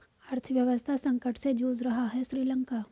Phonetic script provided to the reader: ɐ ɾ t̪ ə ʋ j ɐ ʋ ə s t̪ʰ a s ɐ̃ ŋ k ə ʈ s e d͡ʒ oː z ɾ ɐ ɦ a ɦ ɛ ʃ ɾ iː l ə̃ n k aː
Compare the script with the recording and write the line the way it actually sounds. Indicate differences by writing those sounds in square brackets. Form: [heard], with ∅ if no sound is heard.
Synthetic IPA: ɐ ɾ [t̪ʰ] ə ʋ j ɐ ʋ ə s t̪ʰ a s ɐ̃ ŋ k ə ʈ s e d͡ʒ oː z ɾ ɐ ɦ a ɦ ɛ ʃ ɾ iː l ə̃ [ŋ] k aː